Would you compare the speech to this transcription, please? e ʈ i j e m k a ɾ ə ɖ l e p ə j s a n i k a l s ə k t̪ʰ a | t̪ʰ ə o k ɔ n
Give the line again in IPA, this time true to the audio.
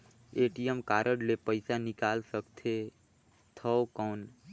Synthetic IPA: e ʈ i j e m k a ɾ ə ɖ l e p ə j s a n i k a l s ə k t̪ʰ e | t̪ʰ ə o k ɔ n